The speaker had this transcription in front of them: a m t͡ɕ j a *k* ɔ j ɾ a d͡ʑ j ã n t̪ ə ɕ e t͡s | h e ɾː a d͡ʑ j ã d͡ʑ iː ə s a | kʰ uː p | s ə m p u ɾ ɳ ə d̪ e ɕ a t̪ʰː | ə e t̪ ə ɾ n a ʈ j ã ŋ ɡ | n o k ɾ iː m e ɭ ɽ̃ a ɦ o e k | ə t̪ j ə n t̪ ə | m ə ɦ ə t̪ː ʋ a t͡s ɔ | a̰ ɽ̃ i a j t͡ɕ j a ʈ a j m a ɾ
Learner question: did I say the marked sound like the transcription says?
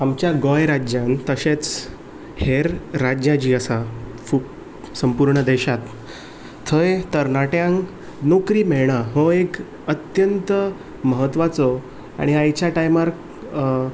no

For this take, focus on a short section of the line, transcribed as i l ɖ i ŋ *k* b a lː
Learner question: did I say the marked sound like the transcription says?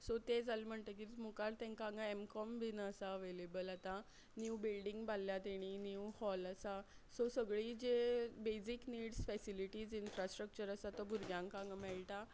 no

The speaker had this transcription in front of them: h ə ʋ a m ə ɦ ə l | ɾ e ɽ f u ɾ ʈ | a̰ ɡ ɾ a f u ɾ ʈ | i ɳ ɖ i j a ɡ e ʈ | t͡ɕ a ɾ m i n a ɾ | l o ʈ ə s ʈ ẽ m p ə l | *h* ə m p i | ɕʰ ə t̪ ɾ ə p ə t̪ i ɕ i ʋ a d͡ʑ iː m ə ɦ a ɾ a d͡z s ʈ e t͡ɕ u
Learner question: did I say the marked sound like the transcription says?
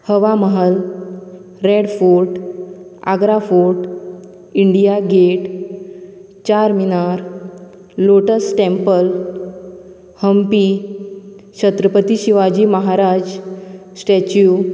yes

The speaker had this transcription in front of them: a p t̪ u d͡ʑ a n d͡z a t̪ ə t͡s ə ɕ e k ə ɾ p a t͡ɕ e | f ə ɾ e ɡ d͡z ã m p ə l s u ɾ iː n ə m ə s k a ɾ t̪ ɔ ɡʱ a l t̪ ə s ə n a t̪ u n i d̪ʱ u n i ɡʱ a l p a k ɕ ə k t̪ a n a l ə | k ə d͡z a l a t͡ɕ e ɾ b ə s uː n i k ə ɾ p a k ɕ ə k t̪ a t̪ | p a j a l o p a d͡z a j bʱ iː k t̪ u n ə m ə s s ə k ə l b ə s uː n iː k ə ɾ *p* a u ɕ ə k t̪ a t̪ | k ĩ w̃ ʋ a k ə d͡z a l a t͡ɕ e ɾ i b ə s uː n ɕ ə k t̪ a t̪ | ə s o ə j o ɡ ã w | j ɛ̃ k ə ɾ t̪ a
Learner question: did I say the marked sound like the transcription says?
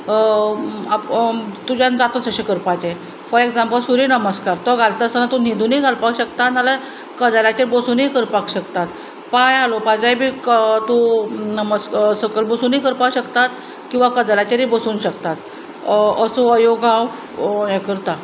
yes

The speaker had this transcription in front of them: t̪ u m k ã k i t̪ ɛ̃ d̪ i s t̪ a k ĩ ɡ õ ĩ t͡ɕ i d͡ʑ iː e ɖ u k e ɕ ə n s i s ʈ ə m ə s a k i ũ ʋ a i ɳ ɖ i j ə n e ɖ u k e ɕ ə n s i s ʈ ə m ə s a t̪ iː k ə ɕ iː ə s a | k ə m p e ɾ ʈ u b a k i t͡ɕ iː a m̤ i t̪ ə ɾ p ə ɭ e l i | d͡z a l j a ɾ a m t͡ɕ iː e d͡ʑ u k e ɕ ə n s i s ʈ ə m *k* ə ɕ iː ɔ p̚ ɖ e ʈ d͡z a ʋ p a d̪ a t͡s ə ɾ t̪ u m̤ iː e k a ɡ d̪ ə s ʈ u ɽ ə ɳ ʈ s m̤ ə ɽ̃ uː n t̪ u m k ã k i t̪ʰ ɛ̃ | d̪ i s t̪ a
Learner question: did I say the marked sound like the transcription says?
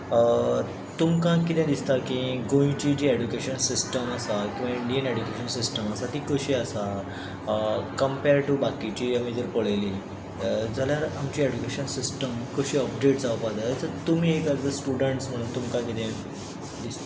yes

